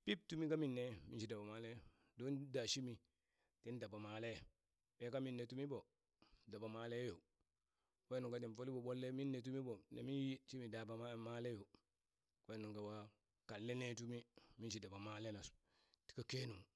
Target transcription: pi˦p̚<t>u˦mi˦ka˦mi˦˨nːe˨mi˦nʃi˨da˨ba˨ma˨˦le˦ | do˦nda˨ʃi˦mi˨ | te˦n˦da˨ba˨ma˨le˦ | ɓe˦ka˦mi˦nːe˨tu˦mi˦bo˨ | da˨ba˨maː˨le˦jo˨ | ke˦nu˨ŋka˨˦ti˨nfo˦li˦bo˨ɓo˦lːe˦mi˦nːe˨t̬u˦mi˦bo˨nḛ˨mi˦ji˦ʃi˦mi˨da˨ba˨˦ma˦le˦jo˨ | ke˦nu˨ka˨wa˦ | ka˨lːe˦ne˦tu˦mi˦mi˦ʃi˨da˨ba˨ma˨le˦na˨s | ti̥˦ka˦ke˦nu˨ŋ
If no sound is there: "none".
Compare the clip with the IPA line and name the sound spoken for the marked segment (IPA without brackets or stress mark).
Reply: t